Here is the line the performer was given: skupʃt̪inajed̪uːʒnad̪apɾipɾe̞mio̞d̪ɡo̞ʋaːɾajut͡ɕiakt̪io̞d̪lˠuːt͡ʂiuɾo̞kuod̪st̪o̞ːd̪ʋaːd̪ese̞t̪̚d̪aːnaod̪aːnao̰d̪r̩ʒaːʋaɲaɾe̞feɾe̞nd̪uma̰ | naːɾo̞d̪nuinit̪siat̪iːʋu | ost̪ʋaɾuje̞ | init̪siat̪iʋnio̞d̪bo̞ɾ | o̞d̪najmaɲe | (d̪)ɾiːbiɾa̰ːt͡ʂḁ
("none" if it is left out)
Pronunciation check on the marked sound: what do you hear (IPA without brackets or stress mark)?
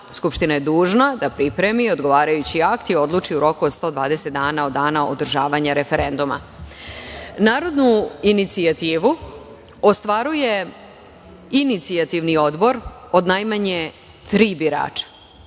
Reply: t̪